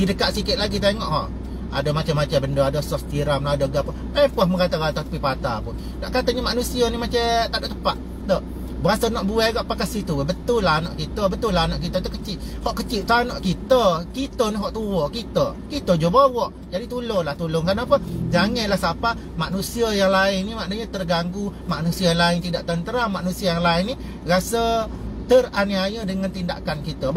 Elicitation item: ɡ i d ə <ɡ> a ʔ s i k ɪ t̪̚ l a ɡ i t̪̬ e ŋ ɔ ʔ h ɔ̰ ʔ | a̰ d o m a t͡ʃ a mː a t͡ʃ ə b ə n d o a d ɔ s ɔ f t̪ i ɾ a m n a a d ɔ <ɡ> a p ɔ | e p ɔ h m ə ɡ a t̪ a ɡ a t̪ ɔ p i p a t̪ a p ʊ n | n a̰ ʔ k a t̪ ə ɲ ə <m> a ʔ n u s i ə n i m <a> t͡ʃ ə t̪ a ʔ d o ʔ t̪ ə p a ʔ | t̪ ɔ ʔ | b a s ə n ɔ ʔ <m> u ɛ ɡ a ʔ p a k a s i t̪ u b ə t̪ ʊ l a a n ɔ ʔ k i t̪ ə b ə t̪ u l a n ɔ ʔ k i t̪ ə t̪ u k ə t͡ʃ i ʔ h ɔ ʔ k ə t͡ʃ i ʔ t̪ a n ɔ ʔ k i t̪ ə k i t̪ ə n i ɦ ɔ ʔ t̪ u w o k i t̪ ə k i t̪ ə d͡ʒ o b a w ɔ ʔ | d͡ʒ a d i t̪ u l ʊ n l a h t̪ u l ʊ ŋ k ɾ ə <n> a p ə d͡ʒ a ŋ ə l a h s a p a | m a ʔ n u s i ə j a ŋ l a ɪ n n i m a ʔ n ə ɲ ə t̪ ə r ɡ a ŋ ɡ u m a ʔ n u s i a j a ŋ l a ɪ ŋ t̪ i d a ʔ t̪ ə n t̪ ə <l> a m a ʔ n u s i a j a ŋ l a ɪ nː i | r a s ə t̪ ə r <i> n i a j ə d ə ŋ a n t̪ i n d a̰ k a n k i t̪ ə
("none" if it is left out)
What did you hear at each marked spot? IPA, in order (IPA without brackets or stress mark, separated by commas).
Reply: k, ɡ, m, a, b, n, ɾ, a